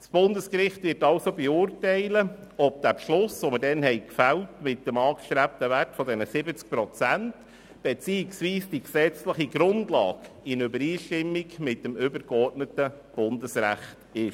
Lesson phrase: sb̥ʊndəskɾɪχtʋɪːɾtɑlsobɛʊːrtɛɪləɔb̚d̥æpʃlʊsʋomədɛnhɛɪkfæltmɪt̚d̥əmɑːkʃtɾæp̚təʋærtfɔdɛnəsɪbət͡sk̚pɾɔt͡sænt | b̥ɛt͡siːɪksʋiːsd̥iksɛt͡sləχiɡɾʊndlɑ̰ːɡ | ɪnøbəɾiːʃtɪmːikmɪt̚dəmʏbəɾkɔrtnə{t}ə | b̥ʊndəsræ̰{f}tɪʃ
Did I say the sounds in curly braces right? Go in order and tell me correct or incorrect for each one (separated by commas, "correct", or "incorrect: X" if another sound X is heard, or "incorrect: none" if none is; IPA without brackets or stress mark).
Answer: correct, incorrect: χ